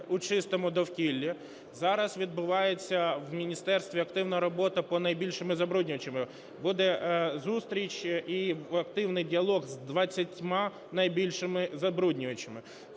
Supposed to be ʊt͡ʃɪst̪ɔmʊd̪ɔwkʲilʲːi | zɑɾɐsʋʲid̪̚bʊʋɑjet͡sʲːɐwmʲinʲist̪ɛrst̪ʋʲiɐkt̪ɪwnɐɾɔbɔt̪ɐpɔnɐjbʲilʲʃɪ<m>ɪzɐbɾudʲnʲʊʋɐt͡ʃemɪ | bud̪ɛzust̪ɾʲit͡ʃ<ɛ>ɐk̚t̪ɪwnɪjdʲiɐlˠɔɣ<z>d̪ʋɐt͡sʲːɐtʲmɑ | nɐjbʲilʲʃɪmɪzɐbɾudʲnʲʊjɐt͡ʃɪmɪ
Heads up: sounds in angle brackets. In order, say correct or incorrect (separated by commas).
correct, incorrect, correct